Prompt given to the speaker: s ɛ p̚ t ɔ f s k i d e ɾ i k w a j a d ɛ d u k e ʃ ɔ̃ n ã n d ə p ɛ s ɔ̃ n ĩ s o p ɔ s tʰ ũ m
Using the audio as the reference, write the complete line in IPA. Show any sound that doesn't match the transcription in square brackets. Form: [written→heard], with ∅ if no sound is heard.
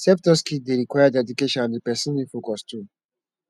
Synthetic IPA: s ɛ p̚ t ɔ [f→∅] s k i d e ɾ i k w a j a d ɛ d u k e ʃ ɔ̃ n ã n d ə p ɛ s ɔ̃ n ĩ [s→f] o [p→k] ɔ s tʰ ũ m